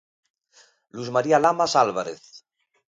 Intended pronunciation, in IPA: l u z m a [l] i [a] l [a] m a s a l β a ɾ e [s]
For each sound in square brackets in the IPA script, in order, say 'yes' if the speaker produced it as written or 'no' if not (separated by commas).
no, yes, yes, no